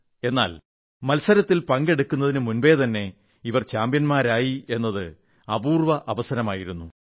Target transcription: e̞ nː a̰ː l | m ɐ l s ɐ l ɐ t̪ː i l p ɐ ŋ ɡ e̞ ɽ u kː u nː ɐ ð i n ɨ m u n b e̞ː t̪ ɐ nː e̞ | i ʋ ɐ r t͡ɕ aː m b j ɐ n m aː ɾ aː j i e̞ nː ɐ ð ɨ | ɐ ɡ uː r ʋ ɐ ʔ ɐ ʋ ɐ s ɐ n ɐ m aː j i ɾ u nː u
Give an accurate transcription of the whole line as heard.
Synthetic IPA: e̞ nː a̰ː l | m ɐ l s ɐ ɾ ɐ t̪ː i l p ɐ ŋ ɡ e̞ ɽ u kː u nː ɐ ð i n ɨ m u n b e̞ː t̪ ɐ nː e̞ | i ʋ ɐ r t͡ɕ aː m b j ɐ n m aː ɾ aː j i e̞ nː ɐ ð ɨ | ɐ b uː r ʋ ɐ ʔ ɐ ʋ ɐ s ɐ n ɐ m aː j i ɾ u nː u